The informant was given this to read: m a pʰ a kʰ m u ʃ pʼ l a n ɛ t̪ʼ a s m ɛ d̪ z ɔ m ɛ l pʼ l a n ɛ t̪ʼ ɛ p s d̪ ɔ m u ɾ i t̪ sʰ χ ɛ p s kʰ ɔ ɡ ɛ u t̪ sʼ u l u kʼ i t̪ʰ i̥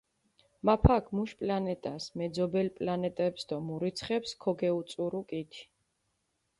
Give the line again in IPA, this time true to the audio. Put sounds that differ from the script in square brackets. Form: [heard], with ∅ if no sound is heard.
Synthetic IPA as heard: m a pʰ a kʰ m u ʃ pʼ l a n ɛ t̪ʼ a s m ɛ d̪ z ɔ [b] ɛ l pʼ l a n ɛ t̪ʼ ɛ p s d̪ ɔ m u ɾ i t̪ sʰ χ ɛ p s kʰ ɔ ɡ ɛ u t̪ sʼ u [ɾ] u kʼ i t̪ʰ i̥